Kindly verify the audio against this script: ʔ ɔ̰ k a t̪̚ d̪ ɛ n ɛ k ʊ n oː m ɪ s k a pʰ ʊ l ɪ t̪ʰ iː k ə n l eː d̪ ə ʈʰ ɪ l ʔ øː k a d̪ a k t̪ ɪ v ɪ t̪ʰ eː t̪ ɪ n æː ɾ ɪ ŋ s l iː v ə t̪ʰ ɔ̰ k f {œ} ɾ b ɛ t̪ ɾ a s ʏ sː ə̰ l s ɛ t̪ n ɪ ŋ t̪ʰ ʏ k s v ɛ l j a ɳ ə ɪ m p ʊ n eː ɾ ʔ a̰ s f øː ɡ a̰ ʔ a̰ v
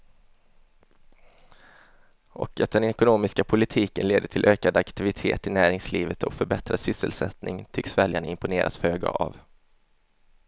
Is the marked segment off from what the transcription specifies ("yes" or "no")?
no